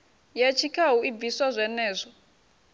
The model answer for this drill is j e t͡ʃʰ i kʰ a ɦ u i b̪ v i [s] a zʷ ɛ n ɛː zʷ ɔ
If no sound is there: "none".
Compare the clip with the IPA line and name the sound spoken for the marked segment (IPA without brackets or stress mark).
s